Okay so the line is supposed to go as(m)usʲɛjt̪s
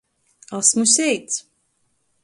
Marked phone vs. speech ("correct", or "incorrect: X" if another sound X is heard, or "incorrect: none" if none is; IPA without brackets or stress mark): correct